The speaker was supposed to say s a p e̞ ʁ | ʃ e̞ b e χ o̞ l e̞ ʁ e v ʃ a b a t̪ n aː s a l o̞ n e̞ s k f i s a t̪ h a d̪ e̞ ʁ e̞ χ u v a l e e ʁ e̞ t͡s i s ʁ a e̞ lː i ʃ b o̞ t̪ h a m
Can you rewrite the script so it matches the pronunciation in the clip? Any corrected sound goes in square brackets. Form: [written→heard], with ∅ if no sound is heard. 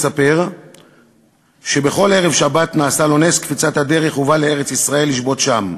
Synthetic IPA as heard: s a p e̞ ʁ | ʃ e̞ b e χ o̞ l e̞ ʁ e v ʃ a b a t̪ n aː s a l o̞ n e̞ s k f i [s→t͡s] a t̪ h a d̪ e̞ ʁ e̞ χ u v a l e e ʁ e̞ t͡s i s ʁ a e̞ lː i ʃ b o̞ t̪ [h→ʃ] a m

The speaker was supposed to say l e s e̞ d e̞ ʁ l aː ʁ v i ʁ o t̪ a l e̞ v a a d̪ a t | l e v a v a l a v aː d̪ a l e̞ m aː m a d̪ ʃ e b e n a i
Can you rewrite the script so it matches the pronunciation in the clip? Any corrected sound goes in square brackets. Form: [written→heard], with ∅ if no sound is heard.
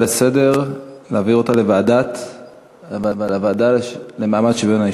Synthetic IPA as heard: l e s e̞ d e̞ ʁ l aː [ʁ→∅] v i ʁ o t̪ a l e̞ v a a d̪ a t | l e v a v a l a v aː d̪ a l e̞ m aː m a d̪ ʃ e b e n a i

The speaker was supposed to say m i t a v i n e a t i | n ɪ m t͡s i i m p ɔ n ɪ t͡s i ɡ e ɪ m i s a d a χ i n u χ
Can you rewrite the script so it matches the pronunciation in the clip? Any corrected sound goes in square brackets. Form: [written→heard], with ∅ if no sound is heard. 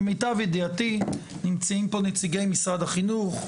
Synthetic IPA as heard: m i t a v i [n→d] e a t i | n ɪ m t͡s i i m p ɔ n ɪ t͡s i ɡ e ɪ m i s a d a χ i n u χ

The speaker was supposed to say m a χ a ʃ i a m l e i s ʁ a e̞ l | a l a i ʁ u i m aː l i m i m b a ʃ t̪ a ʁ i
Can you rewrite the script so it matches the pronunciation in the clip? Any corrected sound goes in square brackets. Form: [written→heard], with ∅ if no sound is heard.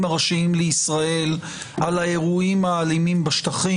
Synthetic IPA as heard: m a [χ→ʁ] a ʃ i [a→i] m l e i s ʁ a e̞ l | a l a [i→e] ʁ u i m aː l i m i m b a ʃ t̪ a [ʁ→χ] i

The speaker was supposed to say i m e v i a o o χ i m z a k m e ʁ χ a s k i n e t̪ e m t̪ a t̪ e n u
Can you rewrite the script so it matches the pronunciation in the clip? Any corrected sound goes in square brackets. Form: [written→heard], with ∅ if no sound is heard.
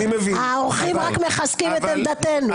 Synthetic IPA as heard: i m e v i a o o χ i m [z→ʁ] a k m e [ʁ→∅] χ a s k i [n→m] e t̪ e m [t̪→d̪] a t̪ e n u

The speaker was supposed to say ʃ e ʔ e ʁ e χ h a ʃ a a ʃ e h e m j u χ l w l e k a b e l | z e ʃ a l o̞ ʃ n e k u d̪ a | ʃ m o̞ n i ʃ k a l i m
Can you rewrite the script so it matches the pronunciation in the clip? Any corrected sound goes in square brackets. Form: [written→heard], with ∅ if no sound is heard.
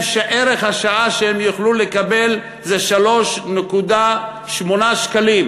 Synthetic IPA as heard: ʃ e ʔ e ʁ e χ h a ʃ a a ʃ e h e m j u χ l [w→u] l e k a b e l | z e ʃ a l o̞ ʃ n e k u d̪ a | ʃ m o̞ n [i→a] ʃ k a l i m

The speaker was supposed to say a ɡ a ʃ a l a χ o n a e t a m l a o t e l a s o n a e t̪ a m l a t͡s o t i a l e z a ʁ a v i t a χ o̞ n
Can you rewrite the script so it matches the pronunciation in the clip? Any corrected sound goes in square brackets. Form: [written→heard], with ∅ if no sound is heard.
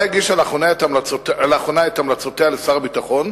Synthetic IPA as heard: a ɡ [a→i] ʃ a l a χ o n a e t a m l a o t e l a [s→χ] o n a e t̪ a m l a t͡s o t [i→e] a l e [z→s] a ʁ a [v→b] i t a χ o̞ n

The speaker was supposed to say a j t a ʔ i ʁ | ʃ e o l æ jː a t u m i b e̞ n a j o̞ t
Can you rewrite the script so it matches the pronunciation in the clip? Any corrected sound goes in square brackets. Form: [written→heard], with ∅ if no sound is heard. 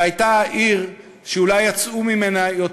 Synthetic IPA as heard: a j t a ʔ i ʁ | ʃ e [o→u] l [æ→a] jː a [t→t͡s] u m i [b→m] e̞ n a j o̞ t

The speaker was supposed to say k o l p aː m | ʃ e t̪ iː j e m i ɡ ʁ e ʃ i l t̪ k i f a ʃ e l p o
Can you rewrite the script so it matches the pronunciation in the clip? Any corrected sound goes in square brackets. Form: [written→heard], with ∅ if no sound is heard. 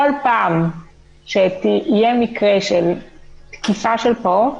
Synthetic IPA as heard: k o l p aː m | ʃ e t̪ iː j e m i [ɡ→k] ʁ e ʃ [i→e] l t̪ k i f a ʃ e l p o

